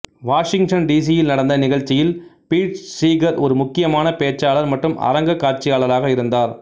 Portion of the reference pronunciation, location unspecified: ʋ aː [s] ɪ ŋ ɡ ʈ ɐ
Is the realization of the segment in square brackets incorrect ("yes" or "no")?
yes